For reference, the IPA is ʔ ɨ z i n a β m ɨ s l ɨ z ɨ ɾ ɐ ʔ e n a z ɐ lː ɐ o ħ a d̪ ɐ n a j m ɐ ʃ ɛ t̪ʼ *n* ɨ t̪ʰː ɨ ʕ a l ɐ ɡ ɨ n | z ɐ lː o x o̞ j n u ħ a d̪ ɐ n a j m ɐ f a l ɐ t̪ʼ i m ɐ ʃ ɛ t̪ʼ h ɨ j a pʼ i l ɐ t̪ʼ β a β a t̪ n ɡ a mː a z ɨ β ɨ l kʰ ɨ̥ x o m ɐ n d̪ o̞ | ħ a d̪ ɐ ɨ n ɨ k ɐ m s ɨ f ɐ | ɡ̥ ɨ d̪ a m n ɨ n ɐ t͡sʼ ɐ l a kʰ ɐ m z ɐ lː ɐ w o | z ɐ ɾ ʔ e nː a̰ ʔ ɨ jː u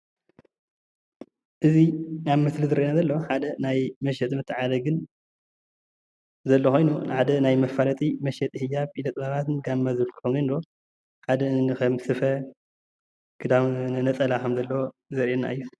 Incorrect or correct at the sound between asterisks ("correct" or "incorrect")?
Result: incorrect